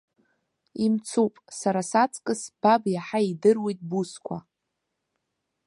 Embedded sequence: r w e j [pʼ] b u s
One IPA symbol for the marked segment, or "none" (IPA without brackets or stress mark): tʼ